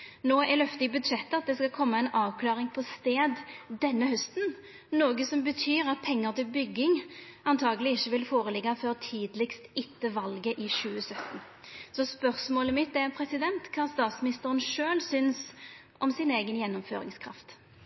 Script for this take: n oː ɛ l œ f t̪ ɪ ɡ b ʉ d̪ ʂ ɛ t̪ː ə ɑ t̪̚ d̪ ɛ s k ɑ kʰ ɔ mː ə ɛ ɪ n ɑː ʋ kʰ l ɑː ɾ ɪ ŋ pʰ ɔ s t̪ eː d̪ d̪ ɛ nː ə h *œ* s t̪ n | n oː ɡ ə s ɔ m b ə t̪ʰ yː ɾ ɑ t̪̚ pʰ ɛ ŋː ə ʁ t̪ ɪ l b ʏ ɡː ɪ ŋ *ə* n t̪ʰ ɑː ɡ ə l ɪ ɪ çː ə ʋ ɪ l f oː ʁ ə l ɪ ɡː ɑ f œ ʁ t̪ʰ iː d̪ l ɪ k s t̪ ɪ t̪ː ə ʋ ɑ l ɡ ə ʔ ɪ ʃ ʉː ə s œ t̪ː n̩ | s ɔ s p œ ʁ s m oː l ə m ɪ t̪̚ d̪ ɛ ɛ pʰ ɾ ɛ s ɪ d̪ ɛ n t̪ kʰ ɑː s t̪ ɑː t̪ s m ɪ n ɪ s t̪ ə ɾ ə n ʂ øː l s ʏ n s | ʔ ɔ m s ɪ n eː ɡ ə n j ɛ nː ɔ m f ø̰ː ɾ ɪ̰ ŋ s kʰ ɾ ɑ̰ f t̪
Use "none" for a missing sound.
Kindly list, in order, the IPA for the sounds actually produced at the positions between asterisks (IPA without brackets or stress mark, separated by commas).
œ, ɑ